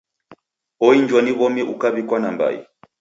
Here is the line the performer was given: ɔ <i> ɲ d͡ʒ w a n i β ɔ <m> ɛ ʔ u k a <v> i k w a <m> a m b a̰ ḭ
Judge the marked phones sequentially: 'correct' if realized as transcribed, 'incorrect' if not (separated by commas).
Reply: correct, correct, incorrect, incorrect